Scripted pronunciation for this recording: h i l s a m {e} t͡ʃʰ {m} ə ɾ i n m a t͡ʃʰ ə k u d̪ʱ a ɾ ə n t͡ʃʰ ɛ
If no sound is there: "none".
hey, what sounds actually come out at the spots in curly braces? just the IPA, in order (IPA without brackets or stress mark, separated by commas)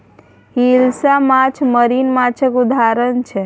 a, m